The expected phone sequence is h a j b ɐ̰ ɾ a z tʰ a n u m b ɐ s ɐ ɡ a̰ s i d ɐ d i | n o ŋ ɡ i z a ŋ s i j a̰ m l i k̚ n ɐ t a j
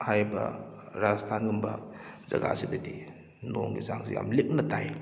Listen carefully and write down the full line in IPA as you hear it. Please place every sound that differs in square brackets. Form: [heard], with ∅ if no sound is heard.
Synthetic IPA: h a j b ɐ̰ ɾ a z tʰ a n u m b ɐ [z] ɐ ɡ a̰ s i d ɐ d i | n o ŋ ɡ i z a ŋ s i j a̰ m l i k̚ n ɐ t a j